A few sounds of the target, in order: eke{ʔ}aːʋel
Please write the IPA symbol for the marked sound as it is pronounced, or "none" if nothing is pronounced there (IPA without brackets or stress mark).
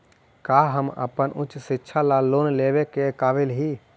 k